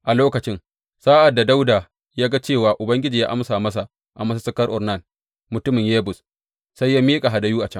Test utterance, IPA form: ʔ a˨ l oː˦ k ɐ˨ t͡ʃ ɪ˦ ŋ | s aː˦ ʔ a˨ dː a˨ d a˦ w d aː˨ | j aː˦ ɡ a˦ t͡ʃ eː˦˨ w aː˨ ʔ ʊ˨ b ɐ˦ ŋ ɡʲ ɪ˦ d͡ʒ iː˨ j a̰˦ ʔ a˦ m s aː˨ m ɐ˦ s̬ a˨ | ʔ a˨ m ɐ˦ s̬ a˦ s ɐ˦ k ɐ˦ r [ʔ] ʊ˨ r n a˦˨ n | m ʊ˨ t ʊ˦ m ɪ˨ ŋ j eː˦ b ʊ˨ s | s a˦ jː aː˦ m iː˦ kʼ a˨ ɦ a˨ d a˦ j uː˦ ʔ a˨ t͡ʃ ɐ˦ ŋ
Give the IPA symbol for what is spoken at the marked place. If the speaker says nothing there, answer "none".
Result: ʔ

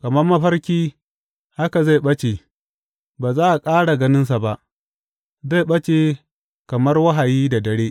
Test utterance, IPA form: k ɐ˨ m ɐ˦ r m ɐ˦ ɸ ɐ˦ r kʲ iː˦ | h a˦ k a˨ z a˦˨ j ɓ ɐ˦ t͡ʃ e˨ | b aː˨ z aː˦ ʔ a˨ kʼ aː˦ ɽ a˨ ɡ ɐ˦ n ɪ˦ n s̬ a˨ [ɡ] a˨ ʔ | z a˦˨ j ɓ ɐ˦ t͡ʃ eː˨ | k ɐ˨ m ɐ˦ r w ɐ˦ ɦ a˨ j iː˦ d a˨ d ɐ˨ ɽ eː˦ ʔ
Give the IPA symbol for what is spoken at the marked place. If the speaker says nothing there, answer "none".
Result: b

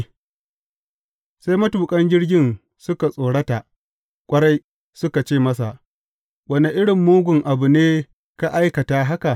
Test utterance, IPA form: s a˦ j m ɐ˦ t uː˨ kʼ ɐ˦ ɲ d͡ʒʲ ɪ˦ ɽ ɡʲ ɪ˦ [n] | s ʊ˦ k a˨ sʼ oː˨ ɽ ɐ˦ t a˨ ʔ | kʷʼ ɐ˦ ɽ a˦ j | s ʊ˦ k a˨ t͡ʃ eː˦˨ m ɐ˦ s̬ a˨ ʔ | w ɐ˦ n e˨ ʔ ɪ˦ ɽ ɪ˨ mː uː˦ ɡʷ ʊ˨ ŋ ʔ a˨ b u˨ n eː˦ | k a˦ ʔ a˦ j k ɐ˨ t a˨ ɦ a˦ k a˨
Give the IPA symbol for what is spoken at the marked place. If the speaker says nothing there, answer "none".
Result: n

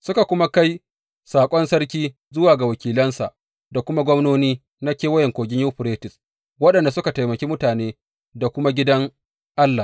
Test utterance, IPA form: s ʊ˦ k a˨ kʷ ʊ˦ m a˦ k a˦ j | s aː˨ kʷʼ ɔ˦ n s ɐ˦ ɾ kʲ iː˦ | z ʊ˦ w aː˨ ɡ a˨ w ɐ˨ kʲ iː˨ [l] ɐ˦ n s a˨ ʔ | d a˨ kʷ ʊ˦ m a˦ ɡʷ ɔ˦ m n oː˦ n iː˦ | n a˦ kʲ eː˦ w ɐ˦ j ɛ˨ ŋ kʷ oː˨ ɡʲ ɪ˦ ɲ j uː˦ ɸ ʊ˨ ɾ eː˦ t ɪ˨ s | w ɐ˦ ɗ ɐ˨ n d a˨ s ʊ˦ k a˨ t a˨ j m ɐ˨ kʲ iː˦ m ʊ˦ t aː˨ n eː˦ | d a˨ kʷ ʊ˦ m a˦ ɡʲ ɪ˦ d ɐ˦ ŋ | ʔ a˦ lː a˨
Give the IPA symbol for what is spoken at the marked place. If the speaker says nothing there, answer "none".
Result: l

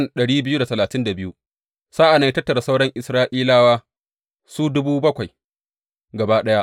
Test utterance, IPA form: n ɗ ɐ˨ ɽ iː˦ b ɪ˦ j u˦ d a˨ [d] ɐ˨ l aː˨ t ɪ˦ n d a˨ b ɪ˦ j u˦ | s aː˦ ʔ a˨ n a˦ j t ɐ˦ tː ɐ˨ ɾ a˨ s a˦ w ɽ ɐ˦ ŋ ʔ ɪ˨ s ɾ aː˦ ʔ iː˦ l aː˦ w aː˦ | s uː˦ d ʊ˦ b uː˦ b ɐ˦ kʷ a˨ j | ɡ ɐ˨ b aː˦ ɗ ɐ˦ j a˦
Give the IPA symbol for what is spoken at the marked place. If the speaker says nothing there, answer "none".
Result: t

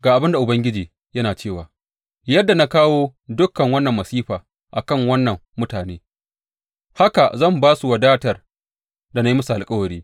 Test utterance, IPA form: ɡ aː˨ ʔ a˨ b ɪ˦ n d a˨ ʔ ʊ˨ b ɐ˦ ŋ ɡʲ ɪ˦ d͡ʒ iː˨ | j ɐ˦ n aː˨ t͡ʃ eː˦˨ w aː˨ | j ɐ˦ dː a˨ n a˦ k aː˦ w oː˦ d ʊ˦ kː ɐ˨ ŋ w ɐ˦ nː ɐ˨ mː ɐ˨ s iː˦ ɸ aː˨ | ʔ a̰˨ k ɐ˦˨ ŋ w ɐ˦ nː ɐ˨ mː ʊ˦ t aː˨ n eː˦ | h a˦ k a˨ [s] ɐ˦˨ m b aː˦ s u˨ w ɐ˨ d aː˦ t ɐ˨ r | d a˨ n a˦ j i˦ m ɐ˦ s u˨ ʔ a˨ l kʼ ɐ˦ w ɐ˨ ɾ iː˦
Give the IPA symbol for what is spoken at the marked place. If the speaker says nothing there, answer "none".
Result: z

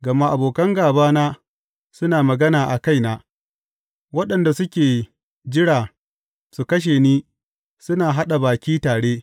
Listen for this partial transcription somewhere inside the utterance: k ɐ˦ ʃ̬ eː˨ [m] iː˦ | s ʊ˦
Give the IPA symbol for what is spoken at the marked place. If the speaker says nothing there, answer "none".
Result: n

